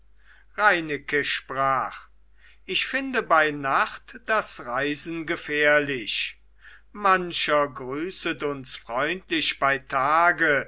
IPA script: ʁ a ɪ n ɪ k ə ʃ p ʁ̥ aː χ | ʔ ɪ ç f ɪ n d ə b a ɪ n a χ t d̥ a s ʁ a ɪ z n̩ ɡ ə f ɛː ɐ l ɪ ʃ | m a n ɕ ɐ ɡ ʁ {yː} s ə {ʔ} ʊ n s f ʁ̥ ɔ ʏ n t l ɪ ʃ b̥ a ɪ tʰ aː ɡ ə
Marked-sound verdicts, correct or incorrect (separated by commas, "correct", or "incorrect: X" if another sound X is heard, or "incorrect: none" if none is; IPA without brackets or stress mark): correct, incorrect: t